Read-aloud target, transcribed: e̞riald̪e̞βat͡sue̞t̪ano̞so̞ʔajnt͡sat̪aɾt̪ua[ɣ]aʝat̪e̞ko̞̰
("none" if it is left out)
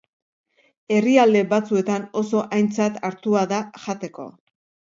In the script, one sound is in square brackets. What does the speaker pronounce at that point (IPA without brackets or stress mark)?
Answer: ð